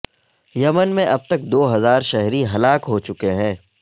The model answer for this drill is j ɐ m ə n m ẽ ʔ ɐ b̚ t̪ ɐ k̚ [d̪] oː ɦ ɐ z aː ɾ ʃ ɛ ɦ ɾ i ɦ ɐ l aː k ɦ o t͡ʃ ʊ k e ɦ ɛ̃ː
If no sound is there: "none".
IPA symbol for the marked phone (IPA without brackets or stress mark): d̪